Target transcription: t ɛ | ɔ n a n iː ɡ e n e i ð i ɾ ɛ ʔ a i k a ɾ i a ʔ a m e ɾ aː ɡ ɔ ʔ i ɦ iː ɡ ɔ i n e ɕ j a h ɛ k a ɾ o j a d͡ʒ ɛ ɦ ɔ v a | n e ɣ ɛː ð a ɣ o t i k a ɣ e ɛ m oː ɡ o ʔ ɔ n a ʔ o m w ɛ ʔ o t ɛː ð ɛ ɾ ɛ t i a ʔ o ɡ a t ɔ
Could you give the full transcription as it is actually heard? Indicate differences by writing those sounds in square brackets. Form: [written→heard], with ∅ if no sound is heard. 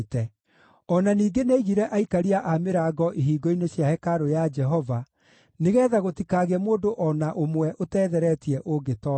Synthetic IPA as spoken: t ɛ | ɔ n a n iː ɡ e n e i [ð→ɣ] i ɾ ɛ ʔ a i k a ɾ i a ʔ a m e ɾ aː ɡ ɔ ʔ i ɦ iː ɡ ɔ i n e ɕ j a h ɛ k a ɾ o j a d͡ʒ ɛ ɦ ɔ v a | n e ɣ ɛː ð a ɣ o t i k a ɣ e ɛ m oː [ɡ→d] o ʔ ɔ n a ʔ o m w ɛ ʔ o t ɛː ð ɛ ɾ ɛ t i [a→ɛ] ʔ o ɡ [a→e] t ɔ